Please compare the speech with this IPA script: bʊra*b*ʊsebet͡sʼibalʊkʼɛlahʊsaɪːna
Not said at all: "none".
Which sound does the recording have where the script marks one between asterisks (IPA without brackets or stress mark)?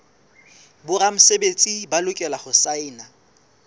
m